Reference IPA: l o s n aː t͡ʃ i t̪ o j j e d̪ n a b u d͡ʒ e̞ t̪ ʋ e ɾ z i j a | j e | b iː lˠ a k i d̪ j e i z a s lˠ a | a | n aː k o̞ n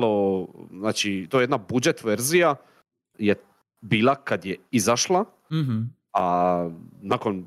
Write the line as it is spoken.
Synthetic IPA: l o z n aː t͡ʃ i t̪ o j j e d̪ n a b u d͡ʒ e̞ t̪ ʋ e ɾ z i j a | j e | b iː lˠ a k a d̪ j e i z a ʃ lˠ a | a | n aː k o̞ n